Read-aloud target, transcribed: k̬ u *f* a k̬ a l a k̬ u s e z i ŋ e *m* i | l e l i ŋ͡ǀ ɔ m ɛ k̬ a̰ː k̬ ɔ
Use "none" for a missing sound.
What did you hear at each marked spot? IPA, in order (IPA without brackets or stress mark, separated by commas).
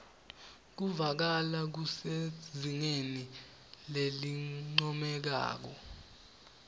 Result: v, n